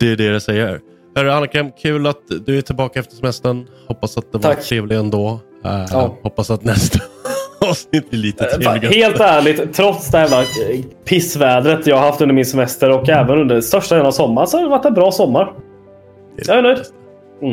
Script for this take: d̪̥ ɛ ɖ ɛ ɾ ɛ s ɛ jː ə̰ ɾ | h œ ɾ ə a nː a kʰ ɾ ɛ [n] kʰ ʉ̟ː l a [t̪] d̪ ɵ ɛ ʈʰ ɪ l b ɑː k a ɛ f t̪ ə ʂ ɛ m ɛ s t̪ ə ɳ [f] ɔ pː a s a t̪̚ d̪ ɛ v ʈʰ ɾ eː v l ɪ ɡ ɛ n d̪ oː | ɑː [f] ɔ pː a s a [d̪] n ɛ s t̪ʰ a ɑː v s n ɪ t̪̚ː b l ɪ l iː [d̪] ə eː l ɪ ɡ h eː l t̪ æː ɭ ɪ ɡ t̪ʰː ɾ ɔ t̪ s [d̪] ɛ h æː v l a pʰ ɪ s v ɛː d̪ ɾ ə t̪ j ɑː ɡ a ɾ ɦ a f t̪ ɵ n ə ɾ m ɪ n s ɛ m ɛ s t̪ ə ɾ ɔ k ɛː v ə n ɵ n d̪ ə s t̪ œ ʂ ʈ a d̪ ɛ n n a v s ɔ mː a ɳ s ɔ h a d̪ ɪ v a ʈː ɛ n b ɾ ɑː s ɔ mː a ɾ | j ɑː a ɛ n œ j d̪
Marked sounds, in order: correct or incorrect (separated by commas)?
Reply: incorrect, correct, incorrect, incorrect, incorrect, incorrect, correct